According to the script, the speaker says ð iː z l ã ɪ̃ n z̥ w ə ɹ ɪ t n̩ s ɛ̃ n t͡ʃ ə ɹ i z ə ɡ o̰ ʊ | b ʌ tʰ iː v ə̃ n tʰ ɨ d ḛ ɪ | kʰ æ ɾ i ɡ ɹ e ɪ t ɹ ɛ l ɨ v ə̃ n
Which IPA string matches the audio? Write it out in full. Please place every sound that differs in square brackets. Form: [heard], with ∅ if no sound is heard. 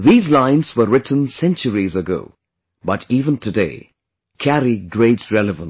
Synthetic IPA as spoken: ð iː z l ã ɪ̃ n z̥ w ə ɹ ɪ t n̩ s ɛ̃ n t͡ʃ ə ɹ i z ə ɡ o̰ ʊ | b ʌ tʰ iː v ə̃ n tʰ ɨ d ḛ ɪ | kʰ æ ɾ i ɡ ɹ e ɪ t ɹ ɛ l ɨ v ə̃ n